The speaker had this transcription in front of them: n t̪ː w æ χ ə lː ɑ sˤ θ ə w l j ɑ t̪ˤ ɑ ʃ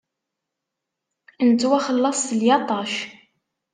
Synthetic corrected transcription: n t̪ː w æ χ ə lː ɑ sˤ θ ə l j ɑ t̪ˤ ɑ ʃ